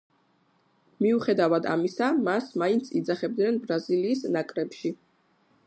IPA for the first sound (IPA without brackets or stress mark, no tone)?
m